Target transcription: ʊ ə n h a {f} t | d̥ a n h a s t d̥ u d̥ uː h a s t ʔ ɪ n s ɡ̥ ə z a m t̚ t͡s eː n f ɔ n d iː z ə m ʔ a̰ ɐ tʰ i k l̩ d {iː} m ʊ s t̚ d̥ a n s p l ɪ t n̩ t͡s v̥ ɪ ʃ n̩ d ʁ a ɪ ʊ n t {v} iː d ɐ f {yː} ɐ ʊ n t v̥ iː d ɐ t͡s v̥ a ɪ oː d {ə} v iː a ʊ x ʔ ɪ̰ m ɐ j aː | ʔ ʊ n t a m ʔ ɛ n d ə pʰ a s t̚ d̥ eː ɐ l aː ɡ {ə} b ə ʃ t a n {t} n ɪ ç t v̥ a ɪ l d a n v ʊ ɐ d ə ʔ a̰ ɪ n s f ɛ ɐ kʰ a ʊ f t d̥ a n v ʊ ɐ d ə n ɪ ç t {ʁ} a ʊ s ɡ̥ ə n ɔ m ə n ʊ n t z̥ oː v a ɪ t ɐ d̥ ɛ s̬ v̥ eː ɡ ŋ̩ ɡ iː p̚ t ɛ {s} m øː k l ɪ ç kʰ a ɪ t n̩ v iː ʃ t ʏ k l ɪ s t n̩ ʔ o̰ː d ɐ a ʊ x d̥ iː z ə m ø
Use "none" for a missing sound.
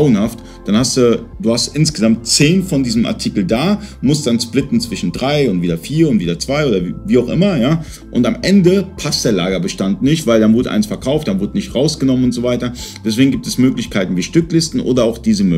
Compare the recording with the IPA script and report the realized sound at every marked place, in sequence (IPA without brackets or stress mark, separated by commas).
f, aː, v, iː, ɐ, ɐ, t, ʁ, s